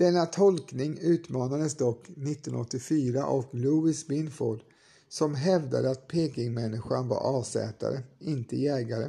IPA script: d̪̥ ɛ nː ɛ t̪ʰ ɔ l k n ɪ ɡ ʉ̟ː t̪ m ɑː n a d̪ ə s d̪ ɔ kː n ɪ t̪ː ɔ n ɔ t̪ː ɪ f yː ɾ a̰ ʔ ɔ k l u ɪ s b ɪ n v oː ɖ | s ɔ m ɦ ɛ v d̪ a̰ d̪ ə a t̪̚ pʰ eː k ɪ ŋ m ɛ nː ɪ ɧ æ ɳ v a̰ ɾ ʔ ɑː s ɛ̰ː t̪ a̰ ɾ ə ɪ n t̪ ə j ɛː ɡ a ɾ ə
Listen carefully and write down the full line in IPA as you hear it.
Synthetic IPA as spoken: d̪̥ ɛ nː a t̪ʰ ɔ l k n ɪ ŋ ʉ̟ː t̪ m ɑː n a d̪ ə s d̪ ɔ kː n ɪ t̪ː ɔ n ɔ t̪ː ɪ f yː ɾ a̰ ʔ ɔ k l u ɪ s b ɪ n f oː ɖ | s ɔ m ɦ ɛ v d̪ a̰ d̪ ə a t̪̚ pʰ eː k ɪ ŋ m ɛ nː ɪ ɧ a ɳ v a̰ ɾ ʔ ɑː s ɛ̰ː t̪ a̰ ɾ ə ɪ n t̪ ə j ɛː ɡ a ɾ ə